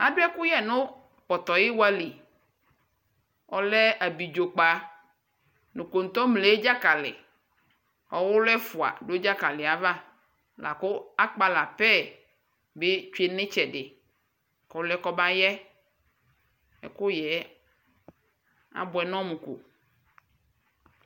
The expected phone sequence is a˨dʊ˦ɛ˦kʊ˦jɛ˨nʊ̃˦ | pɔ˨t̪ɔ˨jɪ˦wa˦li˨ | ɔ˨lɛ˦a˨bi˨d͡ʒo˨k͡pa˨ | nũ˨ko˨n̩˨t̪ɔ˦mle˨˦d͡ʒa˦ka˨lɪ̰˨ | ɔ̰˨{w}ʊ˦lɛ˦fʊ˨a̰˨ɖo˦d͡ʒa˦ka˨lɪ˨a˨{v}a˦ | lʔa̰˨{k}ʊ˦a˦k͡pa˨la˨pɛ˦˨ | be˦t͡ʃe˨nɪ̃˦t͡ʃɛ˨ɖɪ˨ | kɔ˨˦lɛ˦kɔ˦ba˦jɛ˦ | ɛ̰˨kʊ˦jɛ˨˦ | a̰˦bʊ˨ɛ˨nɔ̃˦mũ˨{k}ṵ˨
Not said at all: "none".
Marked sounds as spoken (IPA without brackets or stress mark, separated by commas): w, v, k, k